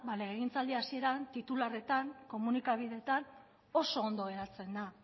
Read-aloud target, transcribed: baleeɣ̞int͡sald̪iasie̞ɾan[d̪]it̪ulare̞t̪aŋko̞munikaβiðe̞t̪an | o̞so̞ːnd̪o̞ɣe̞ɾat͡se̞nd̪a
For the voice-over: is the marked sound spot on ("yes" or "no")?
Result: no